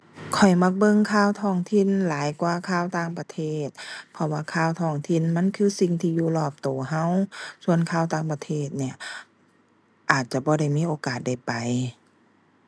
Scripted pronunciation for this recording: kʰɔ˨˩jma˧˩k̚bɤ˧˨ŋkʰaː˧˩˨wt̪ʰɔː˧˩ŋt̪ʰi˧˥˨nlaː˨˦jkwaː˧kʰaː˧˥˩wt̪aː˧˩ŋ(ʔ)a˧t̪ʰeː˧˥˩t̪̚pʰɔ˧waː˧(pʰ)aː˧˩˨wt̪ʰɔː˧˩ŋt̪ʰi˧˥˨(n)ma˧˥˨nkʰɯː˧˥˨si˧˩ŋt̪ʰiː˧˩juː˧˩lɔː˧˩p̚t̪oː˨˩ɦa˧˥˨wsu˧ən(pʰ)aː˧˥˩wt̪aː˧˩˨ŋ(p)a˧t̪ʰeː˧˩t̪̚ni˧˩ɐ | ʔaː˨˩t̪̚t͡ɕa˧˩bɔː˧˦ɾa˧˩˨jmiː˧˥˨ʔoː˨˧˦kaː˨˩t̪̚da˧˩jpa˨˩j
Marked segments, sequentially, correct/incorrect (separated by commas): incorrect, incorrect, correct, incorrect, correct